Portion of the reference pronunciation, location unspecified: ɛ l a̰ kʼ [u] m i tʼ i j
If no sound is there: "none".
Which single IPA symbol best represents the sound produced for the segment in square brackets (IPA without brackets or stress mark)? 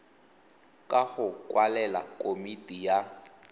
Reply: o